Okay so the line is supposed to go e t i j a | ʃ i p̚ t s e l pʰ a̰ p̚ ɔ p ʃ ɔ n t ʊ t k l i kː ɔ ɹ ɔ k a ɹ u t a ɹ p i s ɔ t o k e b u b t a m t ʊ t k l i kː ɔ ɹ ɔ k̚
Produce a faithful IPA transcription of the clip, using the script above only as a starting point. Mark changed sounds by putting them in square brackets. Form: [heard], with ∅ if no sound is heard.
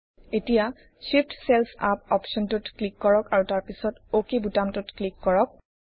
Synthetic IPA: e t i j a | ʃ i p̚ t s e l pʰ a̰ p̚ ɔ p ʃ ɔ n t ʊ t k l i kː ɔ ɹ ɔ k a ɹ u t a ɹ p i s ɔ t o k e b u [∅] t a m t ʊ t k l i kː ɔ ɹ ɔ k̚